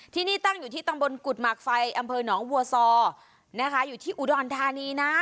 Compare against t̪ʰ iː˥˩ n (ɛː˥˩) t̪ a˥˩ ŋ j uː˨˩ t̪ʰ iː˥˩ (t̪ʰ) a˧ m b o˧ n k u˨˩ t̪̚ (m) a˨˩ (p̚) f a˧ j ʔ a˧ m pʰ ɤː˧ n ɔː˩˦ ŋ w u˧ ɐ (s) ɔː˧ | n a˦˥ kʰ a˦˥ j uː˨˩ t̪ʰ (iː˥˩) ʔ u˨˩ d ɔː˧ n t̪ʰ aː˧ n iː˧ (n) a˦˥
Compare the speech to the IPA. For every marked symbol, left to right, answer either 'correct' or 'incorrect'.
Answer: incorrect, incorrect, correct, incorrect, correct, correct, correct

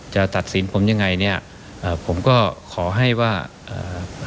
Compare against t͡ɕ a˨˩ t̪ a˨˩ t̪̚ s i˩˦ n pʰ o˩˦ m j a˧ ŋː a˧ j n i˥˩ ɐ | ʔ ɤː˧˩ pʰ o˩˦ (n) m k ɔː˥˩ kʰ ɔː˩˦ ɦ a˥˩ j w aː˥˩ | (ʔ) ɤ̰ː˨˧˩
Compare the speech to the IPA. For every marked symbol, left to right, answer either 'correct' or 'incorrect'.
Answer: incorrect, correct

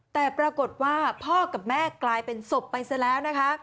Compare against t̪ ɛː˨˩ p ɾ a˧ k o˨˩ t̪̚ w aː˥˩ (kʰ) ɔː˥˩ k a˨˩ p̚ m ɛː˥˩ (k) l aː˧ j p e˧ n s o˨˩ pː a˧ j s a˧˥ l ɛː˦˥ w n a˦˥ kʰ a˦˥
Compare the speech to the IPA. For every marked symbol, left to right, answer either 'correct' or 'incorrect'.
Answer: incorrect, correct

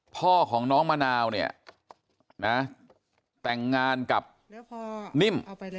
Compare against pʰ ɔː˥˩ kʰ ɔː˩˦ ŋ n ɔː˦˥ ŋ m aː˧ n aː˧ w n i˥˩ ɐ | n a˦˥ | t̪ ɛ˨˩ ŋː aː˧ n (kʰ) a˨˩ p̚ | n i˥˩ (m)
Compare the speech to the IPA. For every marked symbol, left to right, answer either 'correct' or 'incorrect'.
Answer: incorrect, correct

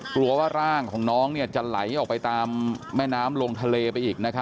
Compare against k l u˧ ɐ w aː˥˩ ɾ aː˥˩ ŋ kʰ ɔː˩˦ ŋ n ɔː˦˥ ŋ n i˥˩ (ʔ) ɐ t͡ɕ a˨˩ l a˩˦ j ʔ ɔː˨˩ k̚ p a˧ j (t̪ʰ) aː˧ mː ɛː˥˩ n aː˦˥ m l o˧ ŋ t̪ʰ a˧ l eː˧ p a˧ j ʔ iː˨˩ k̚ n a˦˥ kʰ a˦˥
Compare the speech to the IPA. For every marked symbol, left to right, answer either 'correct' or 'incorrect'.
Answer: incorrect, incorrect

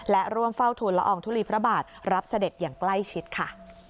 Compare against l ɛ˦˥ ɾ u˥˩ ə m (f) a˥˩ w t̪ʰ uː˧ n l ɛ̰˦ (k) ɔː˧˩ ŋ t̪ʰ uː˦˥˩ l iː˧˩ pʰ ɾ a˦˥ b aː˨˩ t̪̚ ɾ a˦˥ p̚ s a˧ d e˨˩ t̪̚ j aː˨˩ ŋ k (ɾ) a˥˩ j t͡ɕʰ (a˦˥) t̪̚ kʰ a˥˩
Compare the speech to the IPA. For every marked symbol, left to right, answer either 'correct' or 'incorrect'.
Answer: correct, incorrect, incorrect, incorrect

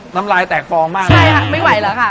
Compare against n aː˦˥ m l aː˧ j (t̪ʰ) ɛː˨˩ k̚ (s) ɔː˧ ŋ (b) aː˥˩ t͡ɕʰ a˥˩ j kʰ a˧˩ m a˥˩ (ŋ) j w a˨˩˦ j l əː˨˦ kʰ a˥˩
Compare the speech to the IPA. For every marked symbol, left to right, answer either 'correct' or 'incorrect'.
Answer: incorrect, incorrect, incorrect, incorrect

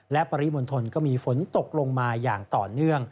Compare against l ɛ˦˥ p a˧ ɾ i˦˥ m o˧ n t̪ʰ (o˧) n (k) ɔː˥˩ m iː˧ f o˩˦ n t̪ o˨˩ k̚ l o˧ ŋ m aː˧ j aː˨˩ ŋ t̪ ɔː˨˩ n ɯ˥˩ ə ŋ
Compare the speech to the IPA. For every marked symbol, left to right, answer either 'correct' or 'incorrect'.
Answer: correct, correct

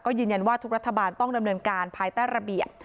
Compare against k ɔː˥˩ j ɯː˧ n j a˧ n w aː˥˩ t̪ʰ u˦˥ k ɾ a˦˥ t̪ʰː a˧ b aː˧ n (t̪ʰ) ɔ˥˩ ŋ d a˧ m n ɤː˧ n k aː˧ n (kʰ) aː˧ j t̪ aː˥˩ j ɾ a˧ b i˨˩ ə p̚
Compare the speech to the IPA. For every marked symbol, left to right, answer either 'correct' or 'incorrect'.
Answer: incorrect, incorrect

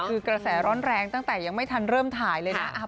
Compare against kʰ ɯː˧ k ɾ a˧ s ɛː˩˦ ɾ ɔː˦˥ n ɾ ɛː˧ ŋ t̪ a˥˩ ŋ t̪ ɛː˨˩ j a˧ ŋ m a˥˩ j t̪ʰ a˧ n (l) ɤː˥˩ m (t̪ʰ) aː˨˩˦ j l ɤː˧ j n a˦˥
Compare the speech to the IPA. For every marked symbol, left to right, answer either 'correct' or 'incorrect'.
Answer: incorrect, correct

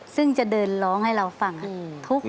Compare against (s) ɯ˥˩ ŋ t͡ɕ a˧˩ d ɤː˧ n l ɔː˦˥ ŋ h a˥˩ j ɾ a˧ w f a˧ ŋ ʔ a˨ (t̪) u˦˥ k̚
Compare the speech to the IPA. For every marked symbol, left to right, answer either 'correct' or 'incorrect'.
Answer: correct, incorrect

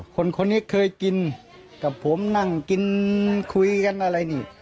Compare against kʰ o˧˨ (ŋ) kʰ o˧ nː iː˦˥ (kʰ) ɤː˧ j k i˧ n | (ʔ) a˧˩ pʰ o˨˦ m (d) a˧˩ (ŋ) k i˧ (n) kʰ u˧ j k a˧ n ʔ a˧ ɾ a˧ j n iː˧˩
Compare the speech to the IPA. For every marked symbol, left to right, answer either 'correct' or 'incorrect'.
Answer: incorrect, correct, incorrect, incorrect, correct, correct

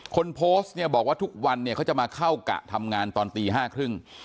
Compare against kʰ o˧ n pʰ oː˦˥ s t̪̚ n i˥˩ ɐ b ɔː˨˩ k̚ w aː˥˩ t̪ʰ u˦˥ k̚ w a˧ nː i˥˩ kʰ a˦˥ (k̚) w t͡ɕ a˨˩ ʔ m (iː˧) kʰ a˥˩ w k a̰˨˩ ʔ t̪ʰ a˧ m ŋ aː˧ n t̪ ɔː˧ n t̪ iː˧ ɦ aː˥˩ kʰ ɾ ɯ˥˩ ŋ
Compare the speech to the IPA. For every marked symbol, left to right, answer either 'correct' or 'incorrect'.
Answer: incorrect, incorrect

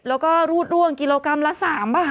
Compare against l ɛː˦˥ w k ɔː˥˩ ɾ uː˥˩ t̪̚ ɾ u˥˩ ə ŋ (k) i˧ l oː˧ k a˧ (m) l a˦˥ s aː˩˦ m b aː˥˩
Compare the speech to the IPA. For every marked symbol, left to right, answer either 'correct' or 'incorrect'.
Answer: correct, correct

